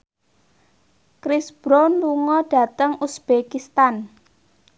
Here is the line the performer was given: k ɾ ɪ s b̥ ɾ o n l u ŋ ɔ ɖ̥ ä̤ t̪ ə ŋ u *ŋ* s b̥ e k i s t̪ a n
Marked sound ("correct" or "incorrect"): incorrect